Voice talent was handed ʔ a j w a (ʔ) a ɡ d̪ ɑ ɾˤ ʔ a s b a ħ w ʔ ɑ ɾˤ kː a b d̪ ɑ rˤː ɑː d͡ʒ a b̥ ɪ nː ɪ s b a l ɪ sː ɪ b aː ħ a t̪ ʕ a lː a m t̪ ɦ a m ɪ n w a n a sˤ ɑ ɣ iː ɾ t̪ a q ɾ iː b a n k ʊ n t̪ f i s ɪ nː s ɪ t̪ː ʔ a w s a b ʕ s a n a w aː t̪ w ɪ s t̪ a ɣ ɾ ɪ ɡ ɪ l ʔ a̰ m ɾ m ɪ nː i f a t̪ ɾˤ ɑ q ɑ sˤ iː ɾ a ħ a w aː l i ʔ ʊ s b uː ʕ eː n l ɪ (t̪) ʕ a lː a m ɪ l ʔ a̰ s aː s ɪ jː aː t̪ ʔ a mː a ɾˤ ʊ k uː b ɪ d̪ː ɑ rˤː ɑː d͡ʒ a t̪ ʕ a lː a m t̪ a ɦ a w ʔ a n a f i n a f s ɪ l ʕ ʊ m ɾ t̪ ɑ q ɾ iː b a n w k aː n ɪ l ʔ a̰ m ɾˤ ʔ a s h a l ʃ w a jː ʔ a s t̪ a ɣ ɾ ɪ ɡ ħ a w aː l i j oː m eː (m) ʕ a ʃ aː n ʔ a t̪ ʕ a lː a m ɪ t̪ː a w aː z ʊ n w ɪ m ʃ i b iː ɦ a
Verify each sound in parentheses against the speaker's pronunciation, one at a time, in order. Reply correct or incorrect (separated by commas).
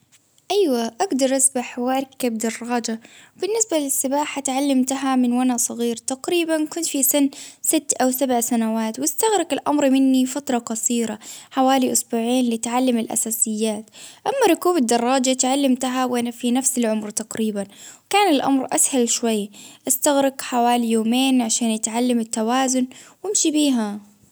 correct, correct, incorrect